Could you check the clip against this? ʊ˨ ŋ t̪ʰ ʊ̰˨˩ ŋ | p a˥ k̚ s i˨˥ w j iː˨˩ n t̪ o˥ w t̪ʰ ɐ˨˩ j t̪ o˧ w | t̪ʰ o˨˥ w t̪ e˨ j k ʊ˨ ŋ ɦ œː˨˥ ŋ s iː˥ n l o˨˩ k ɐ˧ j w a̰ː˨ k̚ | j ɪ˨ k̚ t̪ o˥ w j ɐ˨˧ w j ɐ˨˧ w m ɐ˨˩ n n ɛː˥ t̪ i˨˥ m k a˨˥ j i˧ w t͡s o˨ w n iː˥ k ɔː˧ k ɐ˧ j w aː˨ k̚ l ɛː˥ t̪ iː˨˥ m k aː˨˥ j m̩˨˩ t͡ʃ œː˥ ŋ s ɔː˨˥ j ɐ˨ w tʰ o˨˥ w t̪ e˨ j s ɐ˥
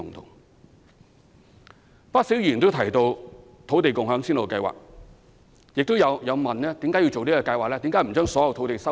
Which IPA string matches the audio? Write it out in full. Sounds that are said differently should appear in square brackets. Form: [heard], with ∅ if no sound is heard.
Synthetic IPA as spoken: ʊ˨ ŋ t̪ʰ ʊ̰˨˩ ŋ | p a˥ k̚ s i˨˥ w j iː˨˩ n t̪ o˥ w t̪ʰ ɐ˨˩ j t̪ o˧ w | t̪ʰ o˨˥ w t̪ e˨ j k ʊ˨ ŋ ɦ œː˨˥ ŋ s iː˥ n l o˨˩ k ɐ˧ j w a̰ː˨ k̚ | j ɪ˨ k̚ t̪ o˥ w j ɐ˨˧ w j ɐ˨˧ w m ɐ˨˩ n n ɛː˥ t̪ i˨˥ m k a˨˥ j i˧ w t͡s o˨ w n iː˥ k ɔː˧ k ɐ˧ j w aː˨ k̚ l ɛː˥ t̪ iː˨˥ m k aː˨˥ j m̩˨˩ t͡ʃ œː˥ ŋ s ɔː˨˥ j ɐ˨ w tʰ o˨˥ w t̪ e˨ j s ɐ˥